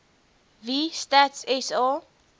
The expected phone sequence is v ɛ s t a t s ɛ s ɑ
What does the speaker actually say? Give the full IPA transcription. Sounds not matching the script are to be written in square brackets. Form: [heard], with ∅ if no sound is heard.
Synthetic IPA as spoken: v [i] s t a t s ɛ s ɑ